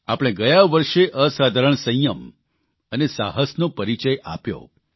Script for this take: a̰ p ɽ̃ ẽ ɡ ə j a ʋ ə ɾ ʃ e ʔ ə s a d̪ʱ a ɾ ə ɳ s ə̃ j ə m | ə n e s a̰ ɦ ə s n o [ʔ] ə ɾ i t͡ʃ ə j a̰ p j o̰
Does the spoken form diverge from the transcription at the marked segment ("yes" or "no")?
yes